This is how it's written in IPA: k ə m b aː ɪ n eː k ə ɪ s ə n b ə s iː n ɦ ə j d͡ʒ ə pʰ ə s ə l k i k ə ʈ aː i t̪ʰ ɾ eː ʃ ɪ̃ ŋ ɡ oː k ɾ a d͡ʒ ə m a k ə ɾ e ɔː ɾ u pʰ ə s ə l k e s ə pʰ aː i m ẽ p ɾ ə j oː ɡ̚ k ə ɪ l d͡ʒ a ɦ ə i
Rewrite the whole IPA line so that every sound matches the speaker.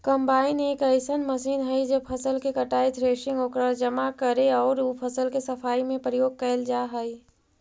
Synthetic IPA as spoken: k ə m b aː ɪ n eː k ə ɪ s ə n m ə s iː n ɦ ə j d͡ʒ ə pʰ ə s ə l k e k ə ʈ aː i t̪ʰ ɾ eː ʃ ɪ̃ ŋ ɡ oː k ɾ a d͡ʒ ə m a k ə ɾ e ɔː ɾ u pʰ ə s ə l k e s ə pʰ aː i m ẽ p ɾ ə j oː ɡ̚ k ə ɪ l d͡ʒ a ɦ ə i